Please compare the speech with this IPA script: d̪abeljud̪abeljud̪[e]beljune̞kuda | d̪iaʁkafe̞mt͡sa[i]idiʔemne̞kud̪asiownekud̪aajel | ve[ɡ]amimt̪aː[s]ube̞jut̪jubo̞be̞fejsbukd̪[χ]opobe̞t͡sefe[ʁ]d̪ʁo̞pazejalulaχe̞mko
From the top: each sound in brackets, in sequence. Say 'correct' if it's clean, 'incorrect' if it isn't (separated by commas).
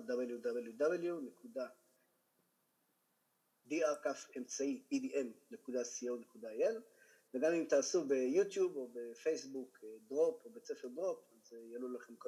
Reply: incorrect, correct, correct, correct, incorrect, correct